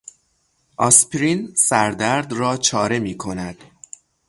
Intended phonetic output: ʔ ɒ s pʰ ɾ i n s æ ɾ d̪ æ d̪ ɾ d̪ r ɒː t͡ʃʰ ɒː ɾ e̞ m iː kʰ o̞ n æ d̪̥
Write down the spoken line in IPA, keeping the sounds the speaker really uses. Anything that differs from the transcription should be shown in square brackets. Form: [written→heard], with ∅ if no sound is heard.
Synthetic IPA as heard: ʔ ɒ s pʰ ɾ i n s æ ɾ d̪ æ [d̪→∅] ɾ d̪ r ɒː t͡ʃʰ ɒː ɾ e̞ m iː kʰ o̞ n æ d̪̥